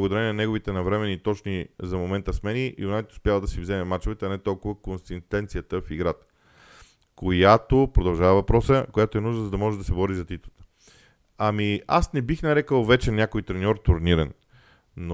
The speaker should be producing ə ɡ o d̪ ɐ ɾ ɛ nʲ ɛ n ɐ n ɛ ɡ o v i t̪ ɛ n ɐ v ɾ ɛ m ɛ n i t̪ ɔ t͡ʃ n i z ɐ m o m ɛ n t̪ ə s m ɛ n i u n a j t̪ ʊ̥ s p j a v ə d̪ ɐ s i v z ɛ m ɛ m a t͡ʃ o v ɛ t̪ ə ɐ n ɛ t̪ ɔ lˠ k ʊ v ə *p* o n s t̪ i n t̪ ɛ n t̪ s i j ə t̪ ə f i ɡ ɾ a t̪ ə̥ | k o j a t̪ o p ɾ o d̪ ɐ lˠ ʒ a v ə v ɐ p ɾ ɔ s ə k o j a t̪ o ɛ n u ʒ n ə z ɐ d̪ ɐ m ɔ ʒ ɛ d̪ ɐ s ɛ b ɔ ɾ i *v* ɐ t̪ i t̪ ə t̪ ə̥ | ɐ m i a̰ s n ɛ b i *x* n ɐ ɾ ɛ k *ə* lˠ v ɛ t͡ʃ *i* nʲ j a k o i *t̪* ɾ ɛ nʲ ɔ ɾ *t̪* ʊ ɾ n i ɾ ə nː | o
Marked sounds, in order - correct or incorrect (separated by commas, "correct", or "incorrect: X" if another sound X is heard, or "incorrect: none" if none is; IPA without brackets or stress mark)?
incorrect: k, incorrect: z, correct, correct, incorrect: ɛ, correct, correct